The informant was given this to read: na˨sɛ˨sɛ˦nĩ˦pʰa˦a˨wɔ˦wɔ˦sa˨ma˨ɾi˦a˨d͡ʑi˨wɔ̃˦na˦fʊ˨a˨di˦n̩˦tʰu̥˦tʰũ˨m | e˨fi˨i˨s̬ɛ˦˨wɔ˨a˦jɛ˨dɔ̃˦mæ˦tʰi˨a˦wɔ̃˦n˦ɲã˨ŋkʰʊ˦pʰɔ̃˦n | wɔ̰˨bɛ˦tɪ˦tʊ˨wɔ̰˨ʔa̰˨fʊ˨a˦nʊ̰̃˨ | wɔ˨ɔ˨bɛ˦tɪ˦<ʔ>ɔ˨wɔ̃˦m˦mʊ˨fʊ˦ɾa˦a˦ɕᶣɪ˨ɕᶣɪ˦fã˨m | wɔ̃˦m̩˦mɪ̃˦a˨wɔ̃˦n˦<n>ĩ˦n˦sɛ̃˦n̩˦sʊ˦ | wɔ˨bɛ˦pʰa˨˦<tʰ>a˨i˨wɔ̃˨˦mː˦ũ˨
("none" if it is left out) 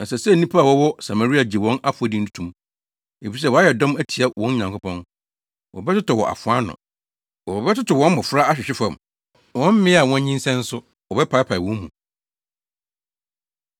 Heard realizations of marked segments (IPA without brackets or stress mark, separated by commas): t, ɲ, pʰ